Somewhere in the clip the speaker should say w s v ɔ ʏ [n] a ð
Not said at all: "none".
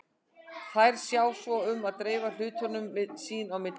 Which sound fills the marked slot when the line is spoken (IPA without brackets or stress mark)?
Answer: m